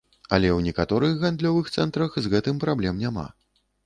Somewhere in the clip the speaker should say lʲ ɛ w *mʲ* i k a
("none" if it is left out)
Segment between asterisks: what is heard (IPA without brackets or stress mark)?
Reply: nʲ